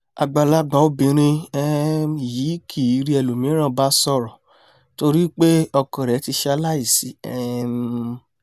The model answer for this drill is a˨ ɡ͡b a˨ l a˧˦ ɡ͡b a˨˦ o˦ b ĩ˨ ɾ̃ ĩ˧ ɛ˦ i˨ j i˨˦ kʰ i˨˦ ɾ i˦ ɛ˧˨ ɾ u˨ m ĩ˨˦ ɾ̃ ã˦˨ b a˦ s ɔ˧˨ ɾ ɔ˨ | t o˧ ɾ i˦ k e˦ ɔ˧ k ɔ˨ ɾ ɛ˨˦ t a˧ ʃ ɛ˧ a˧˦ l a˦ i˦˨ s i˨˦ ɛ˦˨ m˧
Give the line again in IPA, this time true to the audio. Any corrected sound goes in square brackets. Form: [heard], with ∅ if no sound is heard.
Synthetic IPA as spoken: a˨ ɡ͡b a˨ l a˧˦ ɡ͡b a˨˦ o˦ b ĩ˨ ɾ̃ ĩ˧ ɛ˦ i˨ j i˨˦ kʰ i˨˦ ɾ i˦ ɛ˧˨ [l] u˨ m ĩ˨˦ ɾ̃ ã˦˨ b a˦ s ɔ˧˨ ɾ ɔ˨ | t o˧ ɾ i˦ [k͡p] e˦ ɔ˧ k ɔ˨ ɾ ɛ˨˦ t [i˧] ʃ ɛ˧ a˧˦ l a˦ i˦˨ s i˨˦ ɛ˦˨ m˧